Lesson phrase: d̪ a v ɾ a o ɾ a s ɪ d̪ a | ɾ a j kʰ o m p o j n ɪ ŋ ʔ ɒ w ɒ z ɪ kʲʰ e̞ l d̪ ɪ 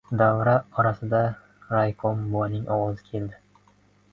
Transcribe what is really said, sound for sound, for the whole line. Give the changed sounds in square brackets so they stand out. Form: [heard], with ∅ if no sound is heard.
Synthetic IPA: d̪ a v ɾ a [ɒ] ɾ a s ɪ d̪ a | ɾ a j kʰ o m [b] o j n ɪ ŋ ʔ ɒ w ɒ z ɪ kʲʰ e̞ l d̪ ɪ